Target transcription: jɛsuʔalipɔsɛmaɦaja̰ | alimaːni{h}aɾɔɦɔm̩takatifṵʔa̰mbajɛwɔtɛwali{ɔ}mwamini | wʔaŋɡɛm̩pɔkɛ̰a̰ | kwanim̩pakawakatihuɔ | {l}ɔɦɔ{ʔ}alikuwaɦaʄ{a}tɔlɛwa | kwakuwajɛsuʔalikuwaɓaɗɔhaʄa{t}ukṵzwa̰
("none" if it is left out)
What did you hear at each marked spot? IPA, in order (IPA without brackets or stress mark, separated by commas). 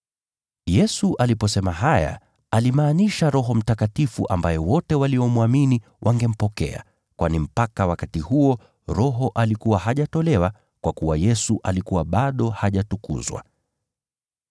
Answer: ʃ, ɔ, ɾ, ʔ, a, t